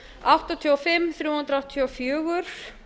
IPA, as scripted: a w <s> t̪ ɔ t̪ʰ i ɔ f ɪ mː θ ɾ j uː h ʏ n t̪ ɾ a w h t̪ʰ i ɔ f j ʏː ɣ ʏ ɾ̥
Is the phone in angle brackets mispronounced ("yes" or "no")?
yes